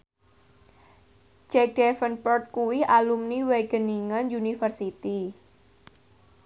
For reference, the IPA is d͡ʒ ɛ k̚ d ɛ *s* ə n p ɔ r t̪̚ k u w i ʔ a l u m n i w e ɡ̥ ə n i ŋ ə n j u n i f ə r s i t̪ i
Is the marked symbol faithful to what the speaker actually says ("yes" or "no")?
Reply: no